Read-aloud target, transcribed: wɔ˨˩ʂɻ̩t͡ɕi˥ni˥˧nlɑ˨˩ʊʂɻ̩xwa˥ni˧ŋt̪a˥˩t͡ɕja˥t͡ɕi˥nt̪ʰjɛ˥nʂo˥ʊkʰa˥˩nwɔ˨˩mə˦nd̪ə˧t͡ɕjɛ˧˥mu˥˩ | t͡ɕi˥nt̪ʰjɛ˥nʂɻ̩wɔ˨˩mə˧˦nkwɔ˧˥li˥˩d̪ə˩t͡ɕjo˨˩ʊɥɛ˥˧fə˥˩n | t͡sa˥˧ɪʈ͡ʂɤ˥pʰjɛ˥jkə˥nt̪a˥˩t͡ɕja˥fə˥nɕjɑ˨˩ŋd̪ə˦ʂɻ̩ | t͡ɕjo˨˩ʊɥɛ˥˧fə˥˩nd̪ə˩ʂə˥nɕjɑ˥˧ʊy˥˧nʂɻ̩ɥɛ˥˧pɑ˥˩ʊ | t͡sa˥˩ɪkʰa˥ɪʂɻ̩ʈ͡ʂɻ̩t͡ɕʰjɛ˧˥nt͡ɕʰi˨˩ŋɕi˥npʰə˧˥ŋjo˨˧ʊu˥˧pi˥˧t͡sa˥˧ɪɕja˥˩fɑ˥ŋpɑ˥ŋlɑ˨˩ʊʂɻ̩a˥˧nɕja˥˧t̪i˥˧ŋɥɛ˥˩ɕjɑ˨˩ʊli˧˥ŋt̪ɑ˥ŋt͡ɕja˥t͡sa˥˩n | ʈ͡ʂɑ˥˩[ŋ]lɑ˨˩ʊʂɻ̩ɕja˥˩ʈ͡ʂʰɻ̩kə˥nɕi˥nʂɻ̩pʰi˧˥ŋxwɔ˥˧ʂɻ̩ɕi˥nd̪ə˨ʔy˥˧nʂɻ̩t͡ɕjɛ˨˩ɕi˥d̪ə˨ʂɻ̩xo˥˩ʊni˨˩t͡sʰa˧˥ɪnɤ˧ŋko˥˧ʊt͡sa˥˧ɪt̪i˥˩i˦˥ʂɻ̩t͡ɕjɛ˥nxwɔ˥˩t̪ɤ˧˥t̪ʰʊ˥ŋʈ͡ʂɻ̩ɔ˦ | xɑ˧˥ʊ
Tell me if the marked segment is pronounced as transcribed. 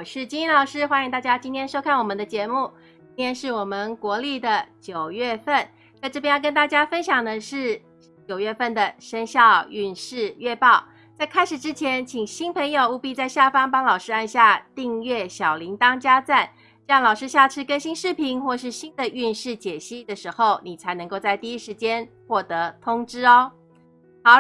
yes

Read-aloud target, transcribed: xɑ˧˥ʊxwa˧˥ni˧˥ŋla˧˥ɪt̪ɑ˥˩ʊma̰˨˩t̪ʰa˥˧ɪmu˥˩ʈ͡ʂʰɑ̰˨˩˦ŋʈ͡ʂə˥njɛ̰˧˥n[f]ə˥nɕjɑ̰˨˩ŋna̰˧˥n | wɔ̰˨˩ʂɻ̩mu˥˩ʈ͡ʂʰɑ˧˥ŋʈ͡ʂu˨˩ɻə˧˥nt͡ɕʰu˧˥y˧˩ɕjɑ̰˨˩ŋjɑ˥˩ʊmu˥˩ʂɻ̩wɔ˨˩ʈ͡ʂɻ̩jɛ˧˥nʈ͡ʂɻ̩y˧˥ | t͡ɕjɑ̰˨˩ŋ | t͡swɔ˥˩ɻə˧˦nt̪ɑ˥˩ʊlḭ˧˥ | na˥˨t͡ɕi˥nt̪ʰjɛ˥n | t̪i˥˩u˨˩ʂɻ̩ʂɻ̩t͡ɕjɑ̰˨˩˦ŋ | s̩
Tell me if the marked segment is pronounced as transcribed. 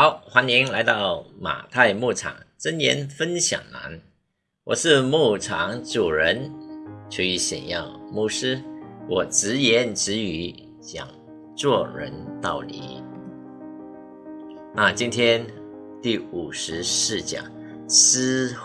yes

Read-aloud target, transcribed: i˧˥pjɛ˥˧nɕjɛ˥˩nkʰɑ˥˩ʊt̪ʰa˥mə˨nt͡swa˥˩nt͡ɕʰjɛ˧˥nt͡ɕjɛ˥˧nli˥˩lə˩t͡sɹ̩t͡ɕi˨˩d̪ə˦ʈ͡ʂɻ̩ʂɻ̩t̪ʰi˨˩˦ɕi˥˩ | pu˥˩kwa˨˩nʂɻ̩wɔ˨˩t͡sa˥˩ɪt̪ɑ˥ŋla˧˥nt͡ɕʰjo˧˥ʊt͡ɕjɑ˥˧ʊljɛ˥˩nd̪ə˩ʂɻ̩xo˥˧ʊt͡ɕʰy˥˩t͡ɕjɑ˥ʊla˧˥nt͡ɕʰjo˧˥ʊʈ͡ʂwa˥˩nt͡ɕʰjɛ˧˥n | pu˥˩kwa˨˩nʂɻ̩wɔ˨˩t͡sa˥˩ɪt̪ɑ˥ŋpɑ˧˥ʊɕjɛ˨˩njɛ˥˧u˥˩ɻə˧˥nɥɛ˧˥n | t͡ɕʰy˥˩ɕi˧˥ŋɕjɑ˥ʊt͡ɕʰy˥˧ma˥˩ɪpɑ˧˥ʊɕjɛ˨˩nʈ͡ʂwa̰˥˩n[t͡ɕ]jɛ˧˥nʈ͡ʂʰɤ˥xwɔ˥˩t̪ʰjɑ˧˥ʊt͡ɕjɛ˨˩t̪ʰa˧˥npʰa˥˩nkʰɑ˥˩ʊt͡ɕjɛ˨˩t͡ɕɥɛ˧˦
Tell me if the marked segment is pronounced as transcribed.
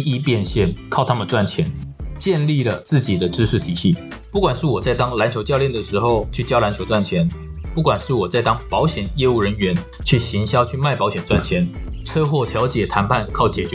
no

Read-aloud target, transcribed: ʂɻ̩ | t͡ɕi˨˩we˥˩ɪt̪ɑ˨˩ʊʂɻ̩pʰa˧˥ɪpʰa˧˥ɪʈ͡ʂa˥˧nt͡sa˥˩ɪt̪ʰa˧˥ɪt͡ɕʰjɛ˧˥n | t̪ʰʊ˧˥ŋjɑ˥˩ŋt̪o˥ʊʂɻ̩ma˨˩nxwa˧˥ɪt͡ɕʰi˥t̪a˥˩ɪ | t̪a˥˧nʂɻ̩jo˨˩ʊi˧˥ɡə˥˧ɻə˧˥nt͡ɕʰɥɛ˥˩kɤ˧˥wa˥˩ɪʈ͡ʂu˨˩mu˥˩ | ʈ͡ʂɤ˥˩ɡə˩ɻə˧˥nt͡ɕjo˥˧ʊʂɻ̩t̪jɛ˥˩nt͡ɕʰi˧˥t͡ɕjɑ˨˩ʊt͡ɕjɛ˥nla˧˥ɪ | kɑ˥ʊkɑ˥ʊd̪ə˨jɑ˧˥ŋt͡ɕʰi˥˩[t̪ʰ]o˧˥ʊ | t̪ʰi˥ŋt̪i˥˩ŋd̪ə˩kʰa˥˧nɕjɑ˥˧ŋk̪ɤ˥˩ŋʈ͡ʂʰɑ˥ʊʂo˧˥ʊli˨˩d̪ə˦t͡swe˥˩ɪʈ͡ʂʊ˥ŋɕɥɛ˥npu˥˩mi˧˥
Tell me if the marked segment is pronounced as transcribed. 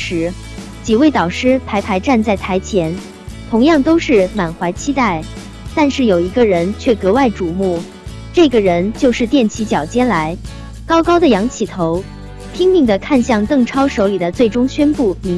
yes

